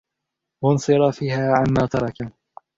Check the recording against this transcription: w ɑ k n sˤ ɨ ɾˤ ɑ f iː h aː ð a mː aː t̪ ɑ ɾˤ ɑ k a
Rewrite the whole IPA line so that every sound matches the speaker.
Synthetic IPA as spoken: w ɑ n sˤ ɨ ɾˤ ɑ f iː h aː ʕ a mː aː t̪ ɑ ɾˤ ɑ k a